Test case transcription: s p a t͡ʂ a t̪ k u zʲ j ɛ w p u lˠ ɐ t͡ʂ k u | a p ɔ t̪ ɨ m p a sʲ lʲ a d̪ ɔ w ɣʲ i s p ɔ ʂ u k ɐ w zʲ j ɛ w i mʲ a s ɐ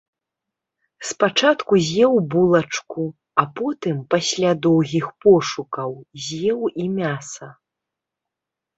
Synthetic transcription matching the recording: s p a t͡ʂ a t̪ k u zʲ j ɛ w b u lˠ ɐ t͡ʂ k u | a p ɔ t̪ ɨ m p a sʲ lʲ a d̪ ɔ w ɣʲ i x p ɔ ʂ u k ɐ w zʲ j ɛ w i mʲ a s ɐ

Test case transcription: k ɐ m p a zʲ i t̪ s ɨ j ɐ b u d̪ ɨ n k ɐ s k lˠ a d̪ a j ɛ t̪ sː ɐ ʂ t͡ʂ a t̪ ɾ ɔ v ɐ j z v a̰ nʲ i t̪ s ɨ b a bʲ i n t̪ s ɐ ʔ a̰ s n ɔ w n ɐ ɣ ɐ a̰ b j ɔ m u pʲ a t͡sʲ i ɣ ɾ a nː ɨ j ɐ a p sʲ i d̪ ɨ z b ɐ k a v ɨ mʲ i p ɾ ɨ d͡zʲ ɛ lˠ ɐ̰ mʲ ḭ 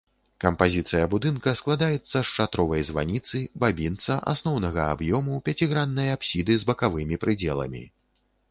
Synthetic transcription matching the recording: k ɐ m p a zʲ i t̪ s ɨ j ɐ b u d̪ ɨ n k ɐ s k lˠ a d̪ a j ɛ t̪ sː ɐ ʂ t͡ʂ a t̪ ɾ ɔ v ɐ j z v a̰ nʲ i t̪ s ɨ b a bʲ i n t̪ s ɐ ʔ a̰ s n ɔ w n ɐ ɣ ɐ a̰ b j ɔ m u pʲ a t͡sʲ i ɣ ɾ a nː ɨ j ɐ a p sʲ i d̪ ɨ z b ɐ k a v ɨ mʲ i p ɾ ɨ d͡zʲ ɛ lˠ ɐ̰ mʲ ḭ

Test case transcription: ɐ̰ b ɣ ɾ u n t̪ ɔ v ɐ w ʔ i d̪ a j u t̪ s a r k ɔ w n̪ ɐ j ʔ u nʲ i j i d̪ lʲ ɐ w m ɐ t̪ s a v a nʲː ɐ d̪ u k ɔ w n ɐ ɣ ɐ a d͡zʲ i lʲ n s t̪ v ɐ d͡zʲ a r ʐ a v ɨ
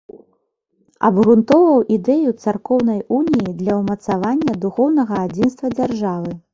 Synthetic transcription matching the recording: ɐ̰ b ɣ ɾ u n t̪ ɔ v ɐ w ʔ i d̪ ɛ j u t̪ s a r k ɔ w n̪ ɐ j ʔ u nʲ i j i d̪ lʲ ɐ w m ɐ t̪ s a v a nʲː ɐ d̪ u x ɔ w n ɐ ɣ ɐ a d͡zʲ i n s t̪ v ɐ d͡zʲ a r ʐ a v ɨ

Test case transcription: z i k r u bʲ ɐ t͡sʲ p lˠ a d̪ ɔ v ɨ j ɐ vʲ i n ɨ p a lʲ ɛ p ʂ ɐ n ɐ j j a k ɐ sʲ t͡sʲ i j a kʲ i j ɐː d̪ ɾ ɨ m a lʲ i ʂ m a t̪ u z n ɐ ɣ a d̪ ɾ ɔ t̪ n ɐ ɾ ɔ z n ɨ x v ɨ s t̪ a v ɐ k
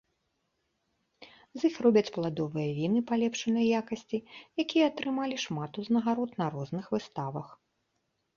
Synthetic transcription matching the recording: z i x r ɔ bʲ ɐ t͡sʲ p lˠ a d̪ ɔ v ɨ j ɐ vʲ i n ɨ p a lʲ ɛ p ʂ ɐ n ɐ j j a k ɐ sʲ t͡sʲ i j a kʲ i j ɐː t̪ ɾ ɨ m a lʲ i ʂ m a t̪ u z n ɐ ɣ a ɾ ɔ t̪ n ɐ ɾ ɔ z n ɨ x v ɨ s t̪ a v ɐ x

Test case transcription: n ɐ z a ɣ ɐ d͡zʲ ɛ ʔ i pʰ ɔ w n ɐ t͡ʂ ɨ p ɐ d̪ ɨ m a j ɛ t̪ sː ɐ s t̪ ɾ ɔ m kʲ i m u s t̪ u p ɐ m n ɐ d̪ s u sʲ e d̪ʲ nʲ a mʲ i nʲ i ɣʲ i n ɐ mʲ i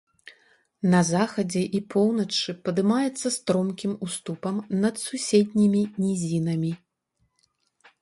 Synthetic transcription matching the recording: n ɐ z a x ɐ d͡zʲ ɛ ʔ i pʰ ɔ w n ɐ t͡ʂ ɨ p ɐ d̪ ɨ m a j ɛ t̪ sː ɐ s t̪ ɾ ɔ m kʲ i m u s t̪ u p ɐ m n ɐ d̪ s u sʲ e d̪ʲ nʲ i mʲ i nʲ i zʲ i n ɐ mʲ i

